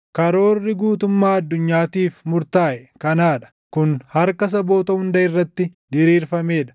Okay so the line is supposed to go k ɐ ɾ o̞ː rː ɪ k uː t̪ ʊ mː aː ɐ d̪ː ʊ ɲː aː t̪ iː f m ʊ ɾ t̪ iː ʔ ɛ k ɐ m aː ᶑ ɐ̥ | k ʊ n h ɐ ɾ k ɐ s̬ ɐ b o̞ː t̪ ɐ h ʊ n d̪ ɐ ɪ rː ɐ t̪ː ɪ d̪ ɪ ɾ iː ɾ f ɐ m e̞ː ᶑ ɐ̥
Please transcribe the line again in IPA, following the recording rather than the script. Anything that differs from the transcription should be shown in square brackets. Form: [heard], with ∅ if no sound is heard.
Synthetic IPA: k ɐ ɾ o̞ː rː ɪ [ɡ] uː t̪ ʊ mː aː ɐ d̪ː ʊ ɲː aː t̪ iː f m ʊ ɾ t̪ [aː] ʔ ɛ k ɐ [n] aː ᶑ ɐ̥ | k ʊ n h ɐ ɾ k ɐ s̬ ɐ b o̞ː t̪ ɐ h ʊ n d̪ ɐ ɪ rː ɐ t̪ː ɪ d̪ ɪ ɾ iː ɾ f ɐ m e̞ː ᶑ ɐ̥